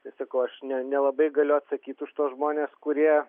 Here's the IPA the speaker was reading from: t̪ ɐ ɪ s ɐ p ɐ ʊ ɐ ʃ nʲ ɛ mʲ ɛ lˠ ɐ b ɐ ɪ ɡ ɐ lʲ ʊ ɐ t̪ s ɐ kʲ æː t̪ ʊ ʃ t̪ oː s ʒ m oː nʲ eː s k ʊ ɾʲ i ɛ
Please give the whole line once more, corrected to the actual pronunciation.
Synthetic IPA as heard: t̪ ɐ ɪ s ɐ k ɐ ʊ ɐ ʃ nʲ ɛ nʲ ɛ lˠ ɐ b ɐ ɪ ɡ ɐ lʲ ʊ ɐ t̪ s ɐ kʲ iː t̪ ʊ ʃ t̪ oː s ʒ m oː nʲ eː s k ʊ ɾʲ i ɛ